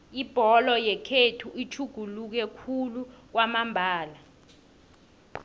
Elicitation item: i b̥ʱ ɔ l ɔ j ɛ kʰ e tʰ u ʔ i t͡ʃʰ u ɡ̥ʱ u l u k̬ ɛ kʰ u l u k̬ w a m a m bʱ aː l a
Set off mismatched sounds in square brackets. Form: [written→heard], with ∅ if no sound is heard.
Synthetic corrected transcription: i b̥ʱ ɔ l ɔ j ɛ kʰ e tʰ u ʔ i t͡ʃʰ u ɡ̥ʱ u l u k̬ ɛ kʰ u l u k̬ w a m a m bʱ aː l a